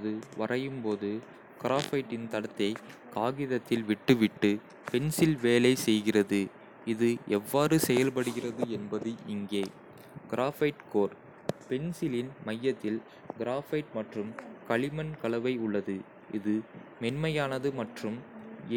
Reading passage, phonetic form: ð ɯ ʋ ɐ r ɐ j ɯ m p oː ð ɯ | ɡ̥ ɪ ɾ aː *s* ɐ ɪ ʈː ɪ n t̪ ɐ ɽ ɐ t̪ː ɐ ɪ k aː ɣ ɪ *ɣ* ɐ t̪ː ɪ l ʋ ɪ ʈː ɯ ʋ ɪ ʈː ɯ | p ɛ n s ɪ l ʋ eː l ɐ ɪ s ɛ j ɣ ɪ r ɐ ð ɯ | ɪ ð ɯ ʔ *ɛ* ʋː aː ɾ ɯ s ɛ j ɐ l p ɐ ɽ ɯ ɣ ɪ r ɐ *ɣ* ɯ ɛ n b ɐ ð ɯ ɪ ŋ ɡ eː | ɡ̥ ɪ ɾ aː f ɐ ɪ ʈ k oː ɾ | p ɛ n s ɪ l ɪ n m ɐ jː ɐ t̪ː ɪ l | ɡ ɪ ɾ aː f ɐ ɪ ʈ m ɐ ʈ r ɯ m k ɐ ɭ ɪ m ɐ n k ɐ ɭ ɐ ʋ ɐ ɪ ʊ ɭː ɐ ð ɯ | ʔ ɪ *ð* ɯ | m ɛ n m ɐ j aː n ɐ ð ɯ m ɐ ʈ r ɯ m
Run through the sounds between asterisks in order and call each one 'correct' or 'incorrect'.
incorrect, incorrect, correct, incorrect, correct

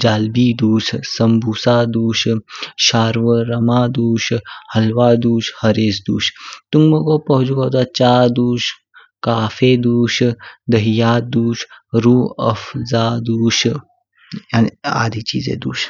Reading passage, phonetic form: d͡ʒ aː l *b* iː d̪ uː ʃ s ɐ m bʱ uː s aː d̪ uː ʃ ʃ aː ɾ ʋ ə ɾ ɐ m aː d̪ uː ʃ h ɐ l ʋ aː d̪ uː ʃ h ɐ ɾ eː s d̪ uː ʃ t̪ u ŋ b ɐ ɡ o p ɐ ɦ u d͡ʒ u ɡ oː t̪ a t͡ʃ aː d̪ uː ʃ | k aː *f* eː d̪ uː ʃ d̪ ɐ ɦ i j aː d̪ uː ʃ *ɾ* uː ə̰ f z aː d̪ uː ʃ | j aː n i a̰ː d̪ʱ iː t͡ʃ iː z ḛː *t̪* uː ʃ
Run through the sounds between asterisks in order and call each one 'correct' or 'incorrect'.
correct, correct, correct, incorrect

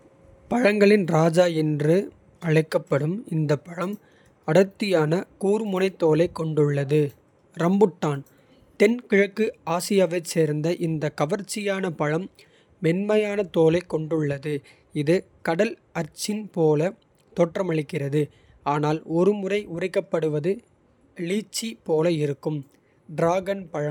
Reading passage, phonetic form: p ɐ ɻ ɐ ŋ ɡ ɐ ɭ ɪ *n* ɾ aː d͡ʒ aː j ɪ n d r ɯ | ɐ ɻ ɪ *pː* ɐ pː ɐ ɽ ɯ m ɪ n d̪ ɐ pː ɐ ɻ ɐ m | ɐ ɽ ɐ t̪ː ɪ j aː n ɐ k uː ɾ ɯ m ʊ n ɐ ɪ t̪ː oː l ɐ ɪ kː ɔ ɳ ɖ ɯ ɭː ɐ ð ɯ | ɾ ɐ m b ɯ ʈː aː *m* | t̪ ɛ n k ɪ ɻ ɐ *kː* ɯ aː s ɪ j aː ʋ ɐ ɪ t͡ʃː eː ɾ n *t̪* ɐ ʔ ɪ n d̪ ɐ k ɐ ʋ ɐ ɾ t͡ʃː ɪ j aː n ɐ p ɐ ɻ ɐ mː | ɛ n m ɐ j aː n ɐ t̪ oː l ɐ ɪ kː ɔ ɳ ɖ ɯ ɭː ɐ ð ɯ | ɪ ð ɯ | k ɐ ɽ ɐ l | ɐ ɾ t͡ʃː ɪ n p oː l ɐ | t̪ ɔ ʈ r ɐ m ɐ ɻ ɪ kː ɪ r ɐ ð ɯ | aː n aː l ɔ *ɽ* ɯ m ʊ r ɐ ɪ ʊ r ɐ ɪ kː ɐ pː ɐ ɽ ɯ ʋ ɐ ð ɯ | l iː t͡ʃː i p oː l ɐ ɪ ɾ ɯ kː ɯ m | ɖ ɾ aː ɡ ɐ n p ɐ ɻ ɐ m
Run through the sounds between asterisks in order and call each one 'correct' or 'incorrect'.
correct, incorrect, incorrect, correct, incorrect, incorrect

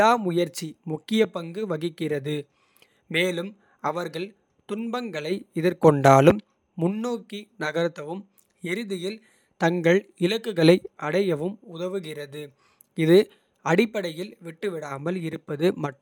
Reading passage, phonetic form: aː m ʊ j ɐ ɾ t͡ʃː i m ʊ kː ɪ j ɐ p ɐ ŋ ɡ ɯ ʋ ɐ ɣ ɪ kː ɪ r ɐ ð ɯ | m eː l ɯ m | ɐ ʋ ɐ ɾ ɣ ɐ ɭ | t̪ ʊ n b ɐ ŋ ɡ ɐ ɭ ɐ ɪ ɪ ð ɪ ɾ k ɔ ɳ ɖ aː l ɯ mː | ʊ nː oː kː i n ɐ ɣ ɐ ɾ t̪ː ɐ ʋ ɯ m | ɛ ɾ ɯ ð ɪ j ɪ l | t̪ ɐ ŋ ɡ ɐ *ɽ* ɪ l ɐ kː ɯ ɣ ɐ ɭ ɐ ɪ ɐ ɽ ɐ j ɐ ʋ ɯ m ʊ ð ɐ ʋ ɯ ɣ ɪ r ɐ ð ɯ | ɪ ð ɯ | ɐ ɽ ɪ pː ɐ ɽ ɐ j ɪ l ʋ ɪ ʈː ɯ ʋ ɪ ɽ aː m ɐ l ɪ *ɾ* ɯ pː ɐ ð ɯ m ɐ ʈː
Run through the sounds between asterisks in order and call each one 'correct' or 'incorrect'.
incorrect, correct

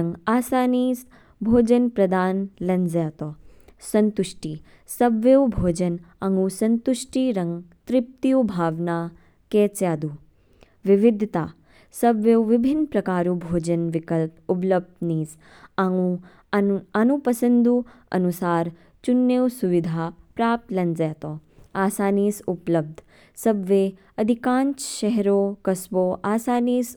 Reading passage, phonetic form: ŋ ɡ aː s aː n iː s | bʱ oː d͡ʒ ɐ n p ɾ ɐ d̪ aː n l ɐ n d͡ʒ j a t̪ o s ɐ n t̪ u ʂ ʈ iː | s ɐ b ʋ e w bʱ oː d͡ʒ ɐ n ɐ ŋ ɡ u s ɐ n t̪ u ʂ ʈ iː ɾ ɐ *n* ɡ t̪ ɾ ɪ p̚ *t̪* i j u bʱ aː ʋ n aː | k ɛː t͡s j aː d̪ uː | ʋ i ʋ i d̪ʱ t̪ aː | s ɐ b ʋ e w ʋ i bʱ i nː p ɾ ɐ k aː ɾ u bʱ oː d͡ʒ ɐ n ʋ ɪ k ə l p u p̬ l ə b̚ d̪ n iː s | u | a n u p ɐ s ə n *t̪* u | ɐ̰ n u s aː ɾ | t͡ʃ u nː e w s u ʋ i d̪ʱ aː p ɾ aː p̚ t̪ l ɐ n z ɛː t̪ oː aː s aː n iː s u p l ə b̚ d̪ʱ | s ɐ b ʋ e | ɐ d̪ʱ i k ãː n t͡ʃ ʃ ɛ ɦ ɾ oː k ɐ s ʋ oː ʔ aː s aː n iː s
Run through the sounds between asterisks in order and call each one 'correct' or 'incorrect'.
incorrect, correct, incorrect

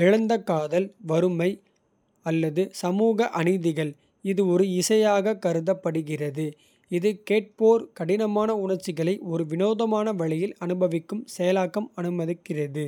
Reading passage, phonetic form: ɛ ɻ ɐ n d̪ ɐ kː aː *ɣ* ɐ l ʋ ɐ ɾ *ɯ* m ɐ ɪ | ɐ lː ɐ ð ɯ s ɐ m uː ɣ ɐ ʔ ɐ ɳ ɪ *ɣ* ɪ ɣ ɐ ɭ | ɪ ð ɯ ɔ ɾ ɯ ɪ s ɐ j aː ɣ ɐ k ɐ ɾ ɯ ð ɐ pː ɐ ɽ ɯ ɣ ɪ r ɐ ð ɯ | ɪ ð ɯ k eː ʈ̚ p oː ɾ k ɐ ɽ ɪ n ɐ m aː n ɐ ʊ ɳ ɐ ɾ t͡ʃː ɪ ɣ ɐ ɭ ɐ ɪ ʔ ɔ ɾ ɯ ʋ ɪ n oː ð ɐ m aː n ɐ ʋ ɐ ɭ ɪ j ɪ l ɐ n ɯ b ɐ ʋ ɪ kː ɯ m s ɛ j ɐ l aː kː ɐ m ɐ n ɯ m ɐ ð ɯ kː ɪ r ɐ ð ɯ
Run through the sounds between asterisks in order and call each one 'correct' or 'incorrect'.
incorrect, correct, incorrect

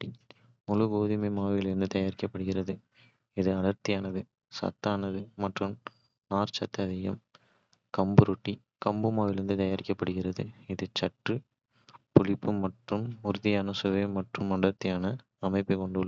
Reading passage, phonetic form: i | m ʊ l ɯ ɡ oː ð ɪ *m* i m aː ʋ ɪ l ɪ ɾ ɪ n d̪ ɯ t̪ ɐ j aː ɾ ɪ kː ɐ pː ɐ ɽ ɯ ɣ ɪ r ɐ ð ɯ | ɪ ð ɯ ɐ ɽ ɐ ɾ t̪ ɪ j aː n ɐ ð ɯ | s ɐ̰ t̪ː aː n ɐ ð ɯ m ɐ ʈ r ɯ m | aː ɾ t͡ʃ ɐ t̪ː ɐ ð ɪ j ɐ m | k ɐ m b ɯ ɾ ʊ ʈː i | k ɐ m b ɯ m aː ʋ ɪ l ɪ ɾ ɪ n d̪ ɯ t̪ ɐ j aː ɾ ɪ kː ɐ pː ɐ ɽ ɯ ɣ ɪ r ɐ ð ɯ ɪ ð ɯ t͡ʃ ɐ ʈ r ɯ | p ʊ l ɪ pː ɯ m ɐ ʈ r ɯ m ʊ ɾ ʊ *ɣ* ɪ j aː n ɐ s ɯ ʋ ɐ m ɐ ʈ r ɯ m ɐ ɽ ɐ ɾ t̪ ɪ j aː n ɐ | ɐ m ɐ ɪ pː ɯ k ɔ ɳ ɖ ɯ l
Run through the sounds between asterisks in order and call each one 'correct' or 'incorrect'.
correct, incorrect

